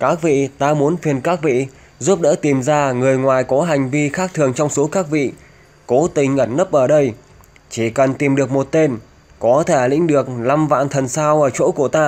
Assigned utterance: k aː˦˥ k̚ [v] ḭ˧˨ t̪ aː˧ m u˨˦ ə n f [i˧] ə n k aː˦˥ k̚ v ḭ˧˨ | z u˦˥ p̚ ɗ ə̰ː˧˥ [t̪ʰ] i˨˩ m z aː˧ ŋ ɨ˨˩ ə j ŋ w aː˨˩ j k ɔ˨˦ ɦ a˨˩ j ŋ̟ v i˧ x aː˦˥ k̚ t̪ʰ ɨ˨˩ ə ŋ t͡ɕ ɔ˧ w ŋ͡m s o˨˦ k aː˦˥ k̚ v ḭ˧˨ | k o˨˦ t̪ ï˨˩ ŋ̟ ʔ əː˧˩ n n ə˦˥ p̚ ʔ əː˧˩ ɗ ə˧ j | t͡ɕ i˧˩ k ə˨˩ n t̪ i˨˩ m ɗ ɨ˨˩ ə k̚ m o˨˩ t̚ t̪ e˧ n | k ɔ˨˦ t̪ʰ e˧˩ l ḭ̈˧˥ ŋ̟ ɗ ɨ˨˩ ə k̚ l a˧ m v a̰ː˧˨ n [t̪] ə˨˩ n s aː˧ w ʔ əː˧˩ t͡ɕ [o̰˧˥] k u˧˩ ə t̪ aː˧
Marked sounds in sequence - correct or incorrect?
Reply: correct, incorrect: i˨˩, incorrect: t̪, incorrect: t̪ʰ, correct

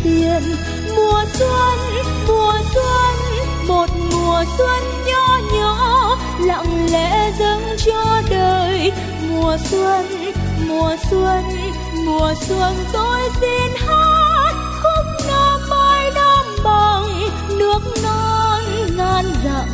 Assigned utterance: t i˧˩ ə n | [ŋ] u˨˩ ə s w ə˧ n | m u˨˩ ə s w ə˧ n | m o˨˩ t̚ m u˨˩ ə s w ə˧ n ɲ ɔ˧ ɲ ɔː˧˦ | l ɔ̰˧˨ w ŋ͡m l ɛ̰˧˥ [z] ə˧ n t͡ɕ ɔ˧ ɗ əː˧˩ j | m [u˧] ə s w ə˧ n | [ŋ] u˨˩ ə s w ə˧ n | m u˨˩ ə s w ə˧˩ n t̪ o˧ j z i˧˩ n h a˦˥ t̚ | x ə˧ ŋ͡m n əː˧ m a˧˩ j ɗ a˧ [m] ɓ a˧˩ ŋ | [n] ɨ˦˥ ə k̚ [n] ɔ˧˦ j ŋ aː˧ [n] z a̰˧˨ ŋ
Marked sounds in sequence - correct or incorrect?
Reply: incorrect: m, correct, incorrect: u˨˩, incorrect: m, correct, correct, correct, correct

